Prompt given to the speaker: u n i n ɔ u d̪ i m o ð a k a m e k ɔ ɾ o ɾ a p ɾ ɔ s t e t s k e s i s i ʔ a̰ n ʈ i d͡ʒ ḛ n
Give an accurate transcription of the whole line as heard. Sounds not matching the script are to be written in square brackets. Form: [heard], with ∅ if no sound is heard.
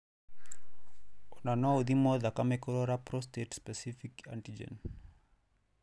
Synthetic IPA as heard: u n [a] n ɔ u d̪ i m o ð a k a m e k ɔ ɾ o ɾ a p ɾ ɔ s t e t s [p] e s i [f] i [k] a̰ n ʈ i d͡ʒ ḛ n